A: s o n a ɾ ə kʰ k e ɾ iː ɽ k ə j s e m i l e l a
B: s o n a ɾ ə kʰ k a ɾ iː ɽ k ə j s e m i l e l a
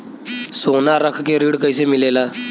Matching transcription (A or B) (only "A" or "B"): A